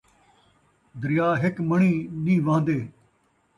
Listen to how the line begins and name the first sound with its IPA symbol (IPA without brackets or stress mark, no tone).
d̪